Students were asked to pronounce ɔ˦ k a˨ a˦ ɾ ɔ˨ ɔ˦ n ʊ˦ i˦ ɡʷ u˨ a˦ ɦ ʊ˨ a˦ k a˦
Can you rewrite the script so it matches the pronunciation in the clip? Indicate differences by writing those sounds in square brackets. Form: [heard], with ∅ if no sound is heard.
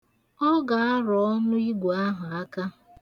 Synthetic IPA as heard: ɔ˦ [ɡ] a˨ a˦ ɾ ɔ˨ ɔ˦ n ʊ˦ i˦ ɡʷ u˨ a˦ ɦ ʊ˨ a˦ k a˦